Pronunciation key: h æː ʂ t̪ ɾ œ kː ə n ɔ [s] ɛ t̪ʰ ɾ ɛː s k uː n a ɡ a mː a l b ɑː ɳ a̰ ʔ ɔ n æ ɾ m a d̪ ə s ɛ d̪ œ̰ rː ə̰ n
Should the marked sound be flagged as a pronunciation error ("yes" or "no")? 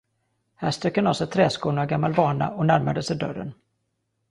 no